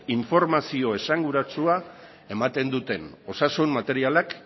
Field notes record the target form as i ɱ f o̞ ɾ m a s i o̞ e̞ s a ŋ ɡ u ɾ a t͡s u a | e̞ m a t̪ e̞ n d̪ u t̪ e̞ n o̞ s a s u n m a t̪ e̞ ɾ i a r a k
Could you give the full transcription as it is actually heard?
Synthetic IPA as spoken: i ɱ f o̞ ɾ m a s i o̞ e̞ s a ŋ ɡ u ɾ a t͡s u a | e̞ m a t̪ e̞ n d̪ u t̪ e̞ n o̞ s a s u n m a t̪ e̞ ɾ i a l a k